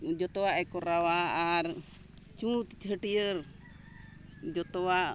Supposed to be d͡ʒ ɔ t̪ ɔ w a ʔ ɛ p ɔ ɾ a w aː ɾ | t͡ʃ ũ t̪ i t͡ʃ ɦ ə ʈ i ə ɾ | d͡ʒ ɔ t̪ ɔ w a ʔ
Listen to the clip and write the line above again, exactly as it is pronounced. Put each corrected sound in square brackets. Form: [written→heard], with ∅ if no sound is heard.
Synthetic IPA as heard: d͡ʒ ɔ t̪ ɔ w a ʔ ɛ [p→k] ɔ ɾ a w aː ɾ | t͡ʃ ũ t̪ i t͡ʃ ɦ ə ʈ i ə ɾ | d͡ʒ ɔ t̪ ɔ w a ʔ